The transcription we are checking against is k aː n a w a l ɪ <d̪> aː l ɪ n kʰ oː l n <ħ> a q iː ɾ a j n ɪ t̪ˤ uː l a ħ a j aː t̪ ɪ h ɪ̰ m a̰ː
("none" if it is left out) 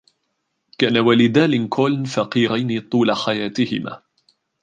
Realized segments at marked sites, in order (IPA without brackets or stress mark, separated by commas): d̪, f